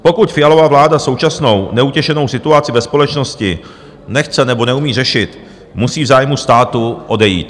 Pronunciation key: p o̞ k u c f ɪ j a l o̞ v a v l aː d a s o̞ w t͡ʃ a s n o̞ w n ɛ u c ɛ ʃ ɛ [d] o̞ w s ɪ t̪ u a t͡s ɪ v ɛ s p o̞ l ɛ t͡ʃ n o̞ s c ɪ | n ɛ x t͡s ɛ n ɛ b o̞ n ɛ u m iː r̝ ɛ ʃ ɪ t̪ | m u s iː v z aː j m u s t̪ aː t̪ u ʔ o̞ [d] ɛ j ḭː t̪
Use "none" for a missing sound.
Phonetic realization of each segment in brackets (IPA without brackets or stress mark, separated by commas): n, d